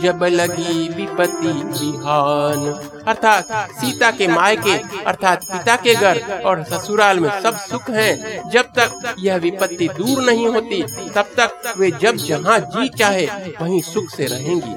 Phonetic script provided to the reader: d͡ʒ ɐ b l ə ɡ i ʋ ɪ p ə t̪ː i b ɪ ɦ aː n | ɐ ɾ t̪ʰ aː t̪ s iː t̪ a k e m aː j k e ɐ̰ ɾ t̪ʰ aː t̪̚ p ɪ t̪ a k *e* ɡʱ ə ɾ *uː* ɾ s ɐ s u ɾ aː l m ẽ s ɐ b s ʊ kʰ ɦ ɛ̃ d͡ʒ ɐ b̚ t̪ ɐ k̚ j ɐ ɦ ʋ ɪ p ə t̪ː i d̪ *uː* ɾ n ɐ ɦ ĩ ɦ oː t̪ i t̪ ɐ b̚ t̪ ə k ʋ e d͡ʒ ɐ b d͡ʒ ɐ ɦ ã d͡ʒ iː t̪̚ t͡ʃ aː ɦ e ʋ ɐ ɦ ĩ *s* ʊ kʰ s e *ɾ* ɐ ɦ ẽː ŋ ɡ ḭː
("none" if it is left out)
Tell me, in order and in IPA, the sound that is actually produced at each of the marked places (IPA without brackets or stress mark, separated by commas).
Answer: e, ɔː, uː, s, ɾ